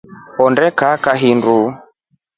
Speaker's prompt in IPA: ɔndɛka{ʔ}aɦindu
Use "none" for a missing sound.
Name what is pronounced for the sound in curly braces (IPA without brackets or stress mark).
k